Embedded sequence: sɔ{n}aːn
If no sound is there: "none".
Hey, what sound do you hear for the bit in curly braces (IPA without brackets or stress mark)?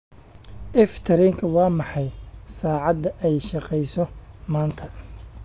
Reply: m